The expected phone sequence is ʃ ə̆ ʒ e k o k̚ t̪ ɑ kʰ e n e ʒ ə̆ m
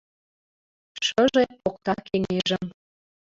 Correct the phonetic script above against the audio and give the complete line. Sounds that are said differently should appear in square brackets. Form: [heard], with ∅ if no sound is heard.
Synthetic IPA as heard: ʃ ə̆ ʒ e [p] o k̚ t̪ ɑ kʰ e [ŋ] e ʒ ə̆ m